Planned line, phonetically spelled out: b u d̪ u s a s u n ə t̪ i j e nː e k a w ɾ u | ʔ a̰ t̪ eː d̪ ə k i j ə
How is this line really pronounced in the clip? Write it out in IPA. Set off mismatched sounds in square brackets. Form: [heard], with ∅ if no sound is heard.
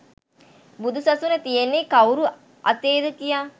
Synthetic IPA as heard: b u d̪ u s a s u n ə t̪ i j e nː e k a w ɾ u | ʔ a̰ t̪ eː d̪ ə k i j [a]